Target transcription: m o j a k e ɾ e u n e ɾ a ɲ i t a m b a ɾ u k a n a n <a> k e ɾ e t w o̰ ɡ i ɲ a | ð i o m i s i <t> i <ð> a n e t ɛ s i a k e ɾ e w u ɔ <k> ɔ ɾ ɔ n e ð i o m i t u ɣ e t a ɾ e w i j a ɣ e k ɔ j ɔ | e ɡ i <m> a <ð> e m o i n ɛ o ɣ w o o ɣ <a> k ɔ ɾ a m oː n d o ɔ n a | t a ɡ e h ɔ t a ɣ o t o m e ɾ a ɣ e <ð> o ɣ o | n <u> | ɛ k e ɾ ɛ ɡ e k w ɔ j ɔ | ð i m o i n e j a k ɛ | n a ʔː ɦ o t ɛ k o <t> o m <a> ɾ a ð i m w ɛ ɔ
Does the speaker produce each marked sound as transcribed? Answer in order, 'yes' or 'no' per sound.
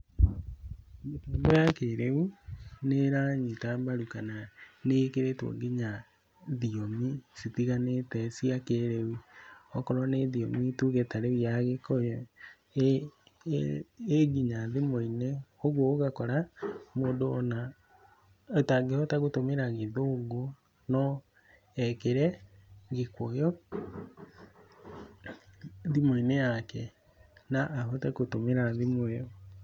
no, yes, no, yes, no, yes, yes, yes, no, yes, no

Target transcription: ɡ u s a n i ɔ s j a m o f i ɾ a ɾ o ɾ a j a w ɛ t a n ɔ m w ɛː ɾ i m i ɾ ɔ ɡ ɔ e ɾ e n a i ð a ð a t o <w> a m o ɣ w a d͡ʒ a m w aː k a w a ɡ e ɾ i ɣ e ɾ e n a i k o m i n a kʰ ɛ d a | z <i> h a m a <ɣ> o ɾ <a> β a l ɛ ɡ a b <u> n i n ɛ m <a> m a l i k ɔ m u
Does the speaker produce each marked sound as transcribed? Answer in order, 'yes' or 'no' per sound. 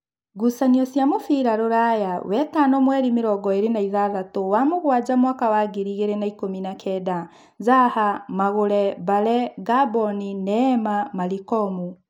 yes, no, yes, no, no, yes

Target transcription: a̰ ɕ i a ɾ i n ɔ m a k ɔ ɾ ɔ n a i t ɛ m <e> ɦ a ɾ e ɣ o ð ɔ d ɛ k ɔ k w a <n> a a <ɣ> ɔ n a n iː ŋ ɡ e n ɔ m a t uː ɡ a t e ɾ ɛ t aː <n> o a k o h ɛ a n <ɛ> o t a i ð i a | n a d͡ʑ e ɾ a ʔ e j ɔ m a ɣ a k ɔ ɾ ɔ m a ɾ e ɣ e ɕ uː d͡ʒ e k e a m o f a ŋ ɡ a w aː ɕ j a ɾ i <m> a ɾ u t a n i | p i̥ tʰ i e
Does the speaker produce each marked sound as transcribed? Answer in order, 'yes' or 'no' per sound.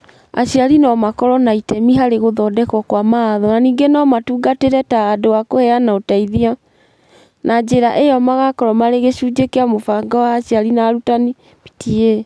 no, no, no, no, no, no

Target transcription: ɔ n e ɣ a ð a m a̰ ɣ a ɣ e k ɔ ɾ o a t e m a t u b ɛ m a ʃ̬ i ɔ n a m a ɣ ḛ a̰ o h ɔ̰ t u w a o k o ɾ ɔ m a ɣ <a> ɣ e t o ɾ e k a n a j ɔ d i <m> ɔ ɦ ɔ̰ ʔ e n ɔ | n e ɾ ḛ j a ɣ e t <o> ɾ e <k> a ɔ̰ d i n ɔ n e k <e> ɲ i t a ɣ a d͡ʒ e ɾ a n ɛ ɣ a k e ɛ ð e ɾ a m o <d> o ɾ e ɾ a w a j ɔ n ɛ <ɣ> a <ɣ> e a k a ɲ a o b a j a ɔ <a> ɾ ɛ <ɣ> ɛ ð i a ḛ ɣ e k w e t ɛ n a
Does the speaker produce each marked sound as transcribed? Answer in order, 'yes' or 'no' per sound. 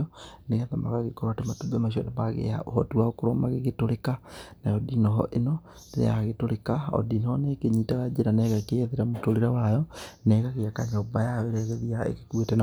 no, no, yes, yes, yes, no, yes, yes, no, yes

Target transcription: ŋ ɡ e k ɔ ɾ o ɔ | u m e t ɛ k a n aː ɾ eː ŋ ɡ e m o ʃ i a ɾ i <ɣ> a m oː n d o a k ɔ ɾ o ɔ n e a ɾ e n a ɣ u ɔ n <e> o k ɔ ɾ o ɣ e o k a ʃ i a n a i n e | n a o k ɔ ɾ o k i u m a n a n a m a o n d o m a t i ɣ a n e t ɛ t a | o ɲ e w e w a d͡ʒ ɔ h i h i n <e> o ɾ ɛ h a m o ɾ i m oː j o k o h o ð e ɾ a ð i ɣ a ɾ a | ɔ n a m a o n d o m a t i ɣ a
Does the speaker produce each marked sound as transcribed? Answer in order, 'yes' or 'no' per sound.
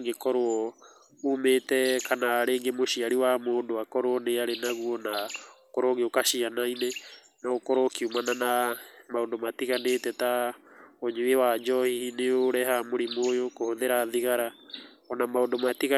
no, no, yes

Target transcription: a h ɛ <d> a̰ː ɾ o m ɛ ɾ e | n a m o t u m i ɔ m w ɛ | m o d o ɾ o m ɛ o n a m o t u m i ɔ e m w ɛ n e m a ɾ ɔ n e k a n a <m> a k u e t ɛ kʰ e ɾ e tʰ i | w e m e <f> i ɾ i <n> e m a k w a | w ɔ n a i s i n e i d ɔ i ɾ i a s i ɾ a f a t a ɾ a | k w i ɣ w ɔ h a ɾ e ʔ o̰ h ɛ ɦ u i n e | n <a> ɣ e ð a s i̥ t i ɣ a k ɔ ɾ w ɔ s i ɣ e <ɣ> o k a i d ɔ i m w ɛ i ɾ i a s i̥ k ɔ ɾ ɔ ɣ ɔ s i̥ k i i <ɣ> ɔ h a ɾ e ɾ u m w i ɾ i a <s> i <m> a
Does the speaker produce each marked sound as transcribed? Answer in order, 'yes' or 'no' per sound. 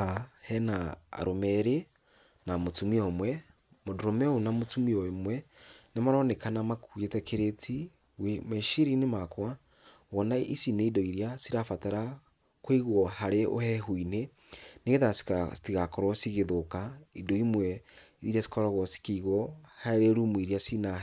no, yes, no, yes, no, no, yes, yes, no

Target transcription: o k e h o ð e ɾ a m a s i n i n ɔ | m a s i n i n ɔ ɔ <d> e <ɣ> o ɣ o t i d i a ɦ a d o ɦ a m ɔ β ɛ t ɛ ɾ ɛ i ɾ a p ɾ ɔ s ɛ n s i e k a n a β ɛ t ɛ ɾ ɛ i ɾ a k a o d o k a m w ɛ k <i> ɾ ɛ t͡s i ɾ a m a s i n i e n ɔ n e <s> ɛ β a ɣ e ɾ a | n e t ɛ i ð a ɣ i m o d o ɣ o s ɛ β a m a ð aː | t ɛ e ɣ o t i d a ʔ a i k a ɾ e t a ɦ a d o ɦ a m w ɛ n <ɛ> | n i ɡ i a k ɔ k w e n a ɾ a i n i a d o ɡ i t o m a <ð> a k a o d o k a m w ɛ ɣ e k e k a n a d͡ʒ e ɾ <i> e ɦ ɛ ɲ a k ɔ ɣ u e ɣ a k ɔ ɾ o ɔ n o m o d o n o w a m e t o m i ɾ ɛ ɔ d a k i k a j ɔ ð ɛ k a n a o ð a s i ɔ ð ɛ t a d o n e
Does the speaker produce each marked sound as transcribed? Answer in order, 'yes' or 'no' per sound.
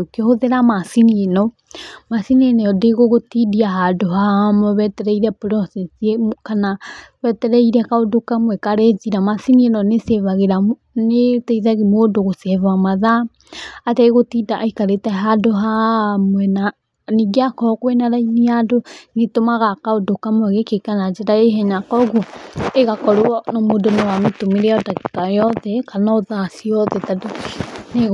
yes, yes, no, yes, no, no, no

